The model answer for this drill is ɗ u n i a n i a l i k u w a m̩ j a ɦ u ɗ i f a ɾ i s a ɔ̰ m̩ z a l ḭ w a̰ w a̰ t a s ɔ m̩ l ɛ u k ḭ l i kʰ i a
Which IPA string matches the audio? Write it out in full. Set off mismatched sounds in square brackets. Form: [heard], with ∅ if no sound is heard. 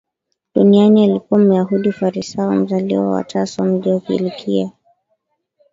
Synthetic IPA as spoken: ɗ u n i a n i a l i k u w a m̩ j a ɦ u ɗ i f a ɾ i s a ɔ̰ m̩ z a l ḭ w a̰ w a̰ t a s ɔ m̩ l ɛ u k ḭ l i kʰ i a

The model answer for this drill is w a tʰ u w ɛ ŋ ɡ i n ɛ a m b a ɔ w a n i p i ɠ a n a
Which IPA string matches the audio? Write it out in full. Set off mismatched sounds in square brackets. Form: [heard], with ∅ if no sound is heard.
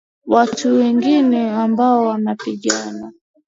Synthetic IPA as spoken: w a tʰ u w ɛ ŋ ɡ i n ɛ a m b a ɔ w a n [a] p i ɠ a n a

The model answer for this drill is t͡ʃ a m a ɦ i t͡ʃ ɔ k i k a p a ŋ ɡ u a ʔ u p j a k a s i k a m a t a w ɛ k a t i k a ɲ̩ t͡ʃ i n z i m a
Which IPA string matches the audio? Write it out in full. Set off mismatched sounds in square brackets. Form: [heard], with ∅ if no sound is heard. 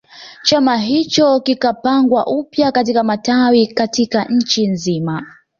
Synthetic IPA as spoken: t͡ʃ a m a ɦ i t͡ʃ ɔ k i k a p a ŋ ɡ [w] a ʔ u p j a k a [t] i k a m a t a w [i] k a t i k a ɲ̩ t͡ʃ i n z i m a

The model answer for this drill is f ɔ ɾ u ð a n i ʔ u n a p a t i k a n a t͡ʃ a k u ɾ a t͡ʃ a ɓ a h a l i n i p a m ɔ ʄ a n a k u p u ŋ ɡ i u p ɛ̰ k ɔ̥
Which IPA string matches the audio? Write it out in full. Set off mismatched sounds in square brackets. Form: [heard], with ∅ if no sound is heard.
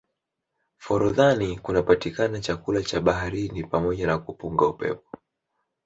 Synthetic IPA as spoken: f ɔ ɾ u ð a n i [k] u n a p a t i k a n a t͡ʃ a k u [l] a t͡ʃ a ɓ a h a [ɾ] i n i p a m ɔ ʄ a n a k u p u ŋ ɡ [a] u p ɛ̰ [p] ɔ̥

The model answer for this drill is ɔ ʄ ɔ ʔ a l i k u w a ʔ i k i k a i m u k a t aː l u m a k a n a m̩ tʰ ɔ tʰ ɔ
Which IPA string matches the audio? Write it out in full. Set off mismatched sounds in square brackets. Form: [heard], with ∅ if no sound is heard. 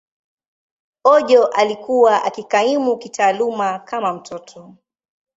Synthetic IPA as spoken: ɔ ʄ ɔ ʔ a l i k u w a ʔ [a] k i k a i m u k [i] t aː l u m a k a [m] a m̩ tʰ ɔ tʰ ɔ

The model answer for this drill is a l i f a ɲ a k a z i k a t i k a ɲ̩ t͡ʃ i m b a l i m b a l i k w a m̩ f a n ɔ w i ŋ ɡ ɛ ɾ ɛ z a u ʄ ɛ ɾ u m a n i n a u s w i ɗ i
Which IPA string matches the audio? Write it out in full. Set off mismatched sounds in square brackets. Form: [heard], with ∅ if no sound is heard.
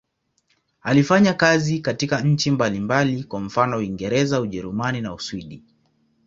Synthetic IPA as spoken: a l i f a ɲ a k a z i k a t i k a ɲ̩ t͡ʃ i m b a l i m b a l i k w a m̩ f a n ɔ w i ŋ ɡ ɛ ɾ ɛ z a u ʄ ɛ ɾ u m a n i n a u s w i ɗ i

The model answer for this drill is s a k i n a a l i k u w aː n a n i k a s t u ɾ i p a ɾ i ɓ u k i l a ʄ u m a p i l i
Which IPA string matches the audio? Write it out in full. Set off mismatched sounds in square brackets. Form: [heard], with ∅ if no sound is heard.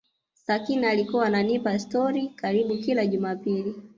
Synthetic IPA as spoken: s a k i n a a l i k u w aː n a n i [p] a s t [ɔ] ɾ i [k] a ɾ i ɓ u k i l a ʄ u m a p i l i

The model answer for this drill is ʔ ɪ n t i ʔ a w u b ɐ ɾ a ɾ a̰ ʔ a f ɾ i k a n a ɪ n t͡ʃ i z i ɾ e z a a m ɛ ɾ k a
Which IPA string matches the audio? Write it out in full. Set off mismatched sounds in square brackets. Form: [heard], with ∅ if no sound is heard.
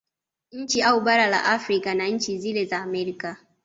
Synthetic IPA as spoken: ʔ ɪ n [t͡ʃ] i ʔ a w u b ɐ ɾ a [l] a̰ ʔ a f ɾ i k a n a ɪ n t͡ʃ i z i [l] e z a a m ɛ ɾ k a

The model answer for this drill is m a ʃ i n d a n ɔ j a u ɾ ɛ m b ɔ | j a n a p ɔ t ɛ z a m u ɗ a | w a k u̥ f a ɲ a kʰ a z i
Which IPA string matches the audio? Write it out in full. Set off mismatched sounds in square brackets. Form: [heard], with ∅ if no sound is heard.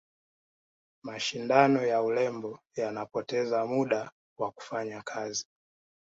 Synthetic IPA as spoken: m a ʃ i n d a n ɔ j a u [l] ɛ m b ɔ | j a n a p ɔ t ɛ z a m u ɗ a | w a k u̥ f a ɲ a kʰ a z i

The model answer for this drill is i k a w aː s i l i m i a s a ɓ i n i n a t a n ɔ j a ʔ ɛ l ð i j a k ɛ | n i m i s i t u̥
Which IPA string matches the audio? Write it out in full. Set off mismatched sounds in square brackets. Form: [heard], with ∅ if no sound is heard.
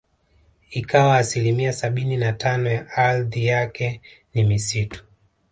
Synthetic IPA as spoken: i k a w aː s i l i m i a s a ɓ i n i n a t a n ɔ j a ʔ [a] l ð i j a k ɛ | n i m i s i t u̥

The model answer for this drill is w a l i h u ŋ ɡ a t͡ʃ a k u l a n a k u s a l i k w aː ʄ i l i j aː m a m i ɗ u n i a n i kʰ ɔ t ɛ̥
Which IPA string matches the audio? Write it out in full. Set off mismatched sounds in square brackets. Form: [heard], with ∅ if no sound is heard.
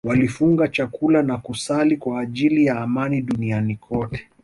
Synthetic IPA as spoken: w a l i [f] u ŋ ɡ a t͡ʃ a k u l a n a k u s a l i k w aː ʄ i l i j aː m a [n] i ɗ u n i a n i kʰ ɔ t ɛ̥

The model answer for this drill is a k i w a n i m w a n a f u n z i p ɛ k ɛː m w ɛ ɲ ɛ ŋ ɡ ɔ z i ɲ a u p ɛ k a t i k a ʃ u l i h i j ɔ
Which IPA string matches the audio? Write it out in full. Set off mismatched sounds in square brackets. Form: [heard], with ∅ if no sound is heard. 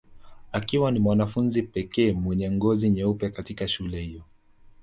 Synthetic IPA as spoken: a k i w a n i m w a n a f u n z i p ɛ k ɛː m w ɛ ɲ ɛ ŋ ɡ ɔ z i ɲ [ɛ] u p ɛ k a t i k a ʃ u l [ɛ] h i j ɔ

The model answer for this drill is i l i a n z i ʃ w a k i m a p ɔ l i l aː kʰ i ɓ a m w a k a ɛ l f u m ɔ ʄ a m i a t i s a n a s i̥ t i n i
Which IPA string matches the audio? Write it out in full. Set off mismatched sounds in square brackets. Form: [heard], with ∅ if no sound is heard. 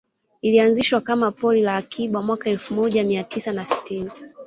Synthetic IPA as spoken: i l i a n z i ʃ w a k [a] m a p ɔ l i l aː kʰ i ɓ a m w a k a ɛ l f u m ɔ ʄ a m i a t i s a n a s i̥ t i n i

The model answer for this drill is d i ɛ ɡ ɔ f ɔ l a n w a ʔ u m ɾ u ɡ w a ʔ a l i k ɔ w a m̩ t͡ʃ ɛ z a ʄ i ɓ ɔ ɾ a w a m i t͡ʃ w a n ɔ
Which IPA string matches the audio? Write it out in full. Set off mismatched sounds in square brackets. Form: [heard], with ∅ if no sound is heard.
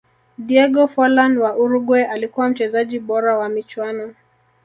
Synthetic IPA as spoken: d i ɛ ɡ ɔ f ɔ l a n w a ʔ u [∅] ɾ u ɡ w [ɛ] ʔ a l i k [u] w a m̩ t͡ʃ ɛ z a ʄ i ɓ ɔ ɾ a w a m i t͡ʃ w a n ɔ

